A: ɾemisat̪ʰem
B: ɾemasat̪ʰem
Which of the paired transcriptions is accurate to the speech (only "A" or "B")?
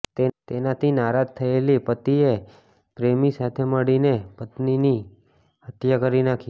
A